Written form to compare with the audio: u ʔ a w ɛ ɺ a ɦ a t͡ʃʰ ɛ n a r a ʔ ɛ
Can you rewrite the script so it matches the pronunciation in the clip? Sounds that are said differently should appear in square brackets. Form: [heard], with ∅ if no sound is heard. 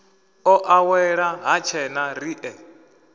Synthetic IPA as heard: [ɔ] ʔ a w ɛ ɺ a ɦ a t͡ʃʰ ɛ n a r [i] ʔ ɛ